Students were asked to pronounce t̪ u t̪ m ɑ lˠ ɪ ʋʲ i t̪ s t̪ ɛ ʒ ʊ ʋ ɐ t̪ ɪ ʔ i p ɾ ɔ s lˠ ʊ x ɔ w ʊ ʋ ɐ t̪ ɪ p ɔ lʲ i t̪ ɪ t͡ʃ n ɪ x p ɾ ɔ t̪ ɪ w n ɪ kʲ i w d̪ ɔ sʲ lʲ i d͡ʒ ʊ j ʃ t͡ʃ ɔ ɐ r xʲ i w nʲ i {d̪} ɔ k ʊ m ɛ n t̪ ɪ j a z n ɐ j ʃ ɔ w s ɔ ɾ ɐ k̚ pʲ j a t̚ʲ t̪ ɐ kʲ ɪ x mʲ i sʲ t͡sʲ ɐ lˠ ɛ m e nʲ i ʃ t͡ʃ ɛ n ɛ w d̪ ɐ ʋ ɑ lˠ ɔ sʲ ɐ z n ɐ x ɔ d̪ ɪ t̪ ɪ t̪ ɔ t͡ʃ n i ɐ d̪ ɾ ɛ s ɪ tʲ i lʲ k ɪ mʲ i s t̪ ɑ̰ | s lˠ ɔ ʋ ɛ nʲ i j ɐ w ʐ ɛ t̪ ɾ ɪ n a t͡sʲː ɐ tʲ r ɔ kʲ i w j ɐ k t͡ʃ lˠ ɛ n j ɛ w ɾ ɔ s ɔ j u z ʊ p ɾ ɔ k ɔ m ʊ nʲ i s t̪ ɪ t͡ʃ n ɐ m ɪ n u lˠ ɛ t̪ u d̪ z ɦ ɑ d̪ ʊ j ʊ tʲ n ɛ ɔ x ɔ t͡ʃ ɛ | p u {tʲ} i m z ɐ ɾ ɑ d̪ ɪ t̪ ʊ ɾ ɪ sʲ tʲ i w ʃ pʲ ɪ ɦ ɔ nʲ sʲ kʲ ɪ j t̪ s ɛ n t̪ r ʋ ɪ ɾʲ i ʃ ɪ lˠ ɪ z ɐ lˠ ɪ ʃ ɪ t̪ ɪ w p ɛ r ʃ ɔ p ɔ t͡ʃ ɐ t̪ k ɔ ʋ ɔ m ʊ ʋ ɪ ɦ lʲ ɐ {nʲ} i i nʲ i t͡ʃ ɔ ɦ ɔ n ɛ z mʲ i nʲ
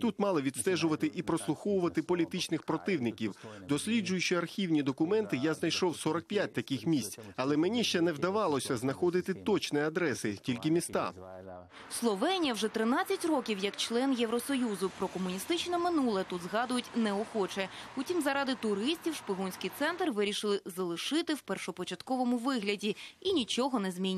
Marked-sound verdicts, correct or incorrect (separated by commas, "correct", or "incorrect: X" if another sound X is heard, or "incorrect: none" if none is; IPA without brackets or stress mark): correct, correct, incorrect: dʲ